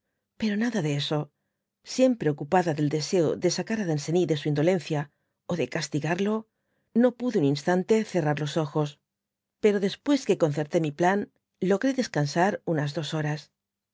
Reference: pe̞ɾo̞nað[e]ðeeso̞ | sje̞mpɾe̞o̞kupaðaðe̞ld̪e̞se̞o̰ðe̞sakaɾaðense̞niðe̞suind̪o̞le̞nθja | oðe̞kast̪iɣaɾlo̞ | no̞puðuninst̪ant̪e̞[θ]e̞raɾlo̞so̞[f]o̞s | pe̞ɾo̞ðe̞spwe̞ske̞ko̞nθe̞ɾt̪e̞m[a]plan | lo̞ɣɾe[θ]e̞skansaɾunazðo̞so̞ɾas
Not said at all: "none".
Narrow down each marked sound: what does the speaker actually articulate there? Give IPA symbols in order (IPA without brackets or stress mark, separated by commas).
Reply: a, θ, x, i, ð